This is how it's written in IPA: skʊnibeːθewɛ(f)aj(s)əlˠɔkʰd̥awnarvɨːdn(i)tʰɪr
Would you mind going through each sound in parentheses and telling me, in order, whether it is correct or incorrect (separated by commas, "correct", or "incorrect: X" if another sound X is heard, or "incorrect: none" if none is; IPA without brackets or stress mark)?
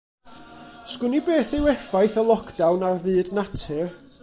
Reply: correct, incorrect: θ, incorrect: a